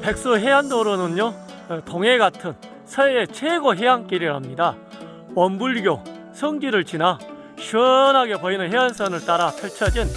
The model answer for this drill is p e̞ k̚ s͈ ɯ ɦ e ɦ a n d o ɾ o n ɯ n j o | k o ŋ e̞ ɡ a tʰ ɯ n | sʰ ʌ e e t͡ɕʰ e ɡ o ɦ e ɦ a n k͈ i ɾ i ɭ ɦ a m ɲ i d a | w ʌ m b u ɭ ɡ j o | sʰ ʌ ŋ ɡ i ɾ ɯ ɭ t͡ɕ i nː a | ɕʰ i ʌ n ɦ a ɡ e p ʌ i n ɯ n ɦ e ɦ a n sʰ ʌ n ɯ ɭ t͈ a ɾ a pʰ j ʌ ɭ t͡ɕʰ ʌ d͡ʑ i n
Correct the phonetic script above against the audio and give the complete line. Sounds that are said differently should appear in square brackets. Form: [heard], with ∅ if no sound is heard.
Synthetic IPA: p e̞ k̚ s͈ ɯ ɦ e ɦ a n d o ɾ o n ɯ n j o | [t] o ŋ e̞ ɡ a tʰ ɯ n | sʰ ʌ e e t͡ɕʰ e ɡ o ɦ e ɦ a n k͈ i ɾ i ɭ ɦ a m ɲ i d a | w ʌ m b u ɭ ɡ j o | sʰ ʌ ŋ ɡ i ɾ ɯ ɭ t͡ɕ i [n] a | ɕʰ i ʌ n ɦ a ɡ e p ʌ i n ɯ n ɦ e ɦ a n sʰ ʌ n ɯ ɭ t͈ a ɾ a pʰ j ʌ ɭ t͡ɕʰ ʌ d͡ʑ i n